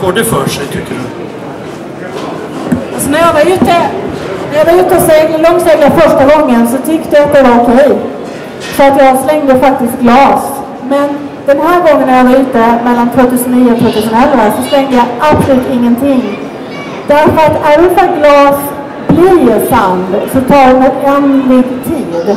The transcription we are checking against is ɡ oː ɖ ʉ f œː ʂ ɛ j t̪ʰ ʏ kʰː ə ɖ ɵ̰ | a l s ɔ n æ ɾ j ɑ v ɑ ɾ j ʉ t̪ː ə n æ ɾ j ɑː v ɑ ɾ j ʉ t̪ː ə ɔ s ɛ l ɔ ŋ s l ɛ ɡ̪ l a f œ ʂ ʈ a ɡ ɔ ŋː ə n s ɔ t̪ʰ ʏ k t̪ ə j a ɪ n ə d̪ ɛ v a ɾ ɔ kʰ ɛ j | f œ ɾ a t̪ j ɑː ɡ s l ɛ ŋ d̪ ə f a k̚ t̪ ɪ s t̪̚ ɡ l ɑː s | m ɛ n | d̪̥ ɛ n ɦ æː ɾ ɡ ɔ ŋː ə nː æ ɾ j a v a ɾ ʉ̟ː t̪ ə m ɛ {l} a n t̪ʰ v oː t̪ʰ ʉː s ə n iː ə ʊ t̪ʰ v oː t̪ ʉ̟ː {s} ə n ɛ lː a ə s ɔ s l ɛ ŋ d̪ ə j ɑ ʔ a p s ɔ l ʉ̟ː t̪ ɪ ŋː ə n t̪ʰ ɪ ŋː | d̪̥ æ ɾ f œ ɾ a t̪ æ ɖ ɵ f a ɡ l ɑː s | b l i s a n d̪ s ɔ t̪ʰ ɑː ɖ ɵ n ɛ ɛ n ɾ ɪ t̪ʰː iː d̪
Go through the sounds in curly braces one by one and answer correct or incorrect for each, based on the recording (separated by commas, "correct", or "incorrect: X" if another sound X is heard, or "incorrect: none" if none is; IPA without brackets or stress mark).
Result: incorrect: lː, correct